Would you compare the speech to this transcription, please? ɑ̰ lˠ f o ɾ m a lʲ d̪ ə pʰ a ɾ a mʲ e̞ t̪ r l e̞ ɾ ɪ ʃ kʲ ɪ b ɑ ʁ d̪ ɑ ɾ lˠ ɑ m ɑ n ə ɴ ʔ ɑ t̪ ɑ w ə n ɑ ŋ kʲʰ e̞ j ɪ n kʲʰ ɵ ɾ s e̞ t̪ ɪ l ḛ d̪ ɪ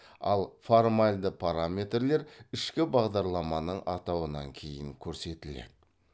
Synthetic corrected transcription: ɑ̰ lˠ f o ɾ m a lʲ d̪ ə pʰ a ɾ a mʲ e̞ t̪ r l e̞ ɾ ɪ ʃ kʲ ɪ b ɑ ʁ d̪ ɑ ɾ lˠ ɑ m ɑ n ə ɴ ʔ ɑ t̪ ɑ w ə n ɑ ŋ kʲʰ e̞ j ɪ ŋ kʲʰ ɵ ɾ s e̞ t̪ ɪ l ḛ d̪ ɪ